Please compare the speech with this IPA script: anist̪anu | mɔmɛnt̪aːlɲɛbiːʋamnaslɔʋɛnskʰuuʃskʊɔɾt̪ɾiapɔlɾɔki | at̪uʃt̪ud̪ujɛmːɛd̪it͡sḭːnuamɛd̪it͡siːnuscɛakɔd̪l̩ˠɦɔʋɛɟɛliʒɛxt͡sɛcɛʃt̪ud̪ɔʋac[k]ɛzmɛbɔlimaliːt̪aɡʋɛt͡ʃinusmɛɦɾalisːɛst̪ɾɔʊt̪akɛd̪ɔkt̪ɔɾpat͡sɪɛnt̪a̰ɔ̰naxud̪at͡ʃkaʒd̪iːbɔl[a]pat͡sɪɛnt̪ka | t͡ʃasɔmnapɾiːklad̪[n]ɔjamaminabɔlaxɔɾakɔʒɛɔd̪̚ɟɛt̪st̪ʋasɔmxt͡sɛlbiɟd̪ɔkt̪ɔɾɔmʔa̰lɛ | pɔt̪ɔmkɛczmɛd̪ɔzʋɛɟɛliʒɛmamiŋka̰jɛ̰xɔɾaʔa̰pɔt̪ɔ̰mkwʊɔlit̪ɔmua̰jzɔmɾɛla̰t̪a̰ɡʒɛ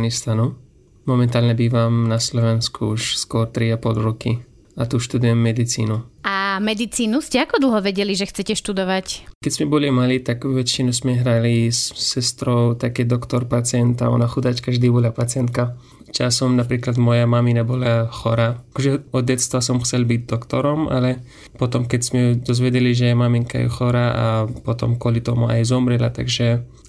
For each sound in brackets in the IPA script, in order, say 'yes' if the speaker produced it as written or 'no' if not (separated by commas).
yes, yes, no